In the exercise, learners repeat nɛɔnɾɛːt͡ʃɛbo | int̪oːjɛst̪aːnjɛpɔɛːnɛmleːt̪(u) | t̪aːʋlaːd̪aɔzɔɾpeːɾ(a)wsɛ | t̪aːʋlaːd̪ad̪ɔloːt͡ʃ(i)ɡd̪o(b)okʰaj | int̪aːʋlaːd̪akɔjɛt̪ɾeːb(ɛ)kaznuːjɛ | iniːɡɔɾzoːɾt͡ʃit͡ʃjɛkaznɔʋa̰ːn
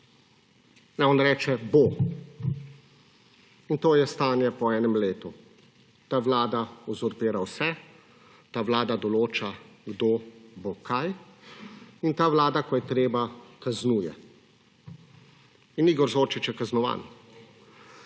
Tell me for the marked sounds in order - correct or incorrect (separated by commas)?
correct, correct, incorrect, correct, incorrect